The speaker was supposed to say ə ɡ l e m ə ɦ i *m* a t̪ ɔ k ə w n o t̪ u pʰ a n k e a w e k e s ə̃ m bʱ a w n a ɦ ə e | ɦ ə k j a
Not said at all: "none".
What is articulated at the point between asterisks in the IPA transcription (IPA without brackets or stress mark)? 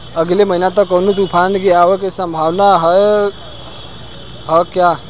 n